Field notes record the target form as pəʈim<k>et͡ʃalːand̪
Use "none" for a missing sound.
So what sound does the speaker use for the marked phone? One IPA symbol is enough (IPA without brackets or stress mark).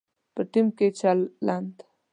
k